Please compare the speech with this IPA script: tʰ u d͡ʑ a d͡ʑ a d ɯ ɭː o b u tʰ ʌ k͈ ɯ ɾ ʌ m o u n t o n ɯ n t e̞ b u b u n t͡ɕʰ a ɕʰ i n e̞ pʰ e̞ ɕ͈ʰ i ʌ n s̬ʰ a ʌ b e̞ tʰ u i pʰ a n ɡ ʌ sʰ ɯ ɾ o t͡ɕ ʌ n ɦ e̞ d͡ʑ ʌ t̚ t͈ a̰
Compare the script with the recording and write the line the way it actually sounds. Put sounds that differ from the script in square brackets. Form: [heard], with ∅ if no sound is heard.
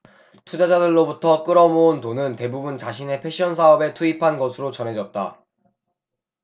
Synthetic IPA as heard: tʰ u d͡ʑ a d͡ʑ a d ɯ ɭː o b u tʰ ʌ k͈ ɯ ɾ ʌ m o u n t o n ɯ n t e̞ b u b u n [t͡ɕ] a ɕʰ i n e̞ pʰ e̞ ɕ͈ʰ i ʌ n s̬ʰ a ʌ b e̞ tʰ u i pʰ a n ɡ ʌ sʰ ɯ ɾ o t͡ɕ ʌ n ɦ e̞ d͡ʑ ʌ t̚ t͈ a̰